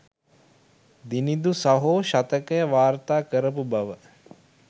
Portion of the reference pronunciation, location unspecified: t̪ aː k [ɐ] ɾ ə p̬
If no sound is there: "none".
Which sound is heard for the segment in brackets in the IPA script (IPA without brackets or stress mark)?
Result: ə